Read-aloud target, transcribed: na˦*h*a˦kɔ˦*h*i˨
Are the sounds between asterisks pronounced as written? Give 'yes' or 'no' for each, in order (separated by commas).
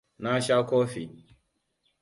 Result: no, no